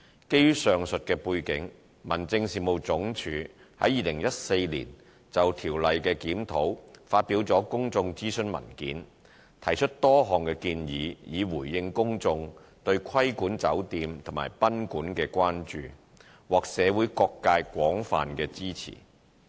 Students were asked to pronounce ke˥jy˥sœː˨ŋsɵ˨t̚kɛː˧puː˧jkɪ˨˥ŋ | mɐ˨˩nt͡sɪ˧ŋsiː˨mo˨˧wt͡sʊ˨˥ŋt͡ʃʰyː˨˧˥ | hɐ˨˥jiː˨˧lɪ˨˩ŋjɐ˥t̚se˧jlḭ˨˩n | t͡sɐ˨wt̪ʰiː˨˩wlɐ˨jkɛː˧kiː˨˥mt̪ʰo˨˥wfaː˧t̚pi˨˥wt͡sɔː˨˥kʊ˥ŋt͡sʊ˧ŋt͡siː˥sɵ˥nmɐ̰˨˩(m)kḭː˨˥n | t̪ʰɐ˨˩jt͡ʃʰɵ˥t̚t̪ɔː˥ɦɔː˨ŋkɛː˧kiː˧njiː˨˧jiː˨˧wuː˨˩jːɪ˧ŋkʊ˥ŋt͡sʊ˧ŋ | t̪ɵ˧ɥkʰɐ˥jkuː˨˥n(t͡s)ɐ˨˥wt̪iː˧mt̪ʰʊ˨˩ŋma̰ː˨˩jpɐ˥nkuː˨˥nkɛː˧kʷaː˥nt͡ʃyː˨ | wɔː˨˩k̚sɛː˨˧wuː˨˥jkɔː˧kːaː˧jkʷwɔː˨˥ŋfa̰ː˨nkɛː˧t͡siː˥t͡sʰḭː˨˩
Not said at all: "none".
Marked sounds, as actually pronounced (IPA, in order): n, t͡s

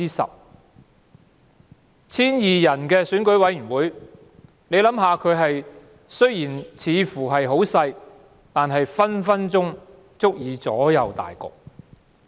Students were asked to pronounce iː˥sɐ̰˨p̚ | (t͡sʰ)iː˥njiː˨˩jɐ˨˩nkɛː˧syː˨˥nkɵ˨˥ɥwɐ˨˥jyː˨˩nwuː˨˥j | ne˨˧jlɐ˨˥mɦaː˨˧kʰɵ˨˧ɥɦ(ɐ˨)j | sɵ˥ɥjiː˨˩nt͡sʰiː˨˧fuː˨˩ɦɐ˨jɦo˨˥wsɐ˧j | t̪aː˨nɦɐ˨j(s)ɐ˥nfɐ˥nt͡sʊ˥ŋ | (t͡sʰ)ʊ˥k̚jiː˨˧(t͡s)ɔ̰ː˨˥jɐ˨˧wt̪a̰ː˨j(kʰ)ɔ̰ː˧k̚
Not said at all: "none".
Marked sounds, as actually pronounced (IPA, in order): t͡sʰ, ɐ˨, f, t͡s, t͡s, k

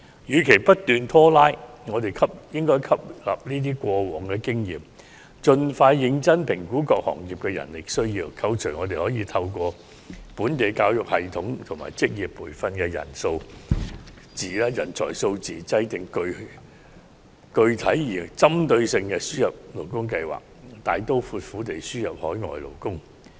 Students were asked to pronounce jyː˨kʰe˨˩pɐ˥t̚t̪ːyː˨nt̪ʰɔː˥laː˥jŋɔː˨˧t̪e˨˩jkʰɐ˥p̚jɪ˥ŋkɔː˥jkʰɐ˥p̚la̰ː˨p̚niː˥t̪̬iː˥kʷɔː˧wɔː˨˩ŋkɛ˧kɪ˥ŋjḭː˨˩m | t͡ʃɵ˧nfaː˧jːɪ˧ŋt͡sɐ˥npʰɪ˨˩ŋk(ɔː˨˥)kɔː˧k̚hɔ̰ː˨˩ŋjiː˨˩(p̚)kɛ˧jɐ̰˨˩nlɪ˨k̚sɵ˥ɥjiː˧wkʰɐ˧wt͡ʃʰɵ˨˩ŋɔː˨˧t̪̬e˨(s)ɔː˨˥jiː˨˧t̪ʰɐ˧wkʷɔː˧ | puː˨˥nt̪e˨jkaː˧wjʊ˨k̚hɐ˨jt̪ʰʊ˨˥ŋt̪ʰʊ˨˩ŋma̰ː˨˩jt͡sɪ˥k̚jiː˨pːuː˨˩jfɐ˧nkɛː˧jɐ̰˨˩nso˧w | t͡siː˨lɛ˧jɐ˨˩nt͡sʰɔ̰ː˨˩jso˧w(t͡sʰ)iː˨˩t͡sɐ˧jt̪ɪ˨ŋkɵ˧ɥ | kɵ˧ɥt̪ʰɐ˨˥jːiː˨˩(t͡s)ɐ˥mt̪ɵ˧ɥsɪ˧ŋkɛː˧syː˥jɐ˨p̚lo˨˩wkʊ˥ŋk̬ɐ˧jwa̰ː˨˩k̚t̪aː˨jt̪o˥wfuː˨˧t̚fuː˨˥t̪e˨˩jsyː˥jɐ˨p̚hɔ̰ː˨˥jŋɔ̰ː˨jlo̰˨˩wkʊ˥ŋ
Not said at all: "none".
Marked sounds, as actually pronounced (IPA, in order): uː˨˥, p̚, h, t͡s, t͡s

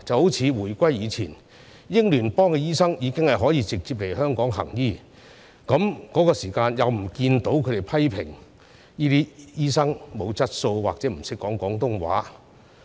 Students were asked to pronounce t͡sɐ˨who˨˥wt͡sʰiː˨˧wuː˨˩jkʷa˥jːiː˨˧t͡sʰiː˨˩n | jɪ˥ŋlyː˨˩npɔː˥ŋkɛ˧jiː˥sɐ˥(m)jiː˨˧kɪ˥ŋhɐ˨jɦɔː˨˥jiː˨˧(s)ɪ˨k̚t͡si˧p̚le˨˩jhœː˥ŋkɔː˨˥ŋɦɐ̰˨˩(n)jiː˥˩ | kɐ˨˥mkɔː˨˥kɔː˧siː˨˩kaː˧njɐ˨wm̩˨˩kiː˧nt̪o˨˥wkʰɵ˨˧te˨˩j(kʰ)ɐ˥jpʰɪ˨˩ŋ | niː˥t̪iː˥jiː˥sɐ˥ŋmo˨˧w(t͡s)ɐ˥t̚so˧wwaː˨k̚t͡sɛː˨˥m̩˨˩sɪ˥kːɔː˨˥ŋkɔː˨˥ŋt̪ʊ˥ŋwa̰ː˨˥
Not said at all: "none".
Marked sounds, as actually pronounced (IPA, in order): ŋ, t͡s, ŋ, pʰ, t͡s

